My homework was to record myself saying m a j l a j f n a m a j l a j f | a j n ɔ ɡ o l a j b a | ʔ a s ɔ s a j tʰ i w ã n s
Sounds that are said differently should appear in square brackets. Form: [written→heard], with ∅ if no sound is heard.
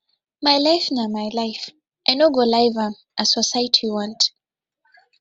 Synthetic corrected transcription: m a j l a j f n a m a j l a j f | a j n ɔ ɡ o l a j [b→v] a | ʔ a s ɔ s a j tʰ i w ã n [s→t]